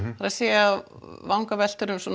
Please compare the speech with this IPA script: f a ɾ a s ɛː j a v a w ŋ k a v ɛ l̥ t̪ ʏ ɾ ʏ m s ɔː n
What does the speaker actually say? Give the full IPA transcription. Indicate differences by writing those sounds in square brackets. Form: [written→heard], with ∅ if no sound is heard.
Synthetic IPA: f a ɾ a s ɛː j a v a w ŋ k a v ɛ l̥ t̪ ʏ ɾ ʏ m s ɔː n